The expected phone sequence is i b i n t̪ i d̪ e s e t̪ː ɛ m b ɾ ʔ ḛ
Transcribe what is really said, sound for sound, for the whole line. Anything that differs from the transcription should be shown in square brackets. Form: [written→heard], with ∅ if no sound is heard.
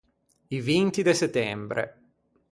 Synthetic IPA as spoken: i [b→v] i n t̪ i d̪ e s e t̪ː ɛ m b ɾ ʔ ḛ